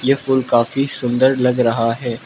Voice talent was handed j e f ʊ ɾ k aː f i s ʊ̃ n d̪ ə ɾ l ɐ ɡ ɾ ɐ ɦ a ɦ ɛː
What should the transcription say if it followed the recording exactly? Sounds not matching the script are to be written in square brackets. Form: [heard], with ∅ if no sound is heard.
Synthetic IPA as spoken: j e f ʊ [l] k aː f i s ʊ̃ n d̪ ə ɾ l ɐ ɡ ɾ ɐ ɦ a ɦ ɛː